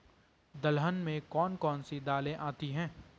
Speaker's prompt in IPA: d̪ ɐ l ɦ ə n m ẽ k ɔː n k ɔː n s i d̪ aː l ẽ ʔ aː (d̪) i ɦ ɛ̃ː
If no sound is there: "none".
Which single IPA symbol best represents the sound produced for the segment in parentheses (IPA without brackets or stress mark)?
t̪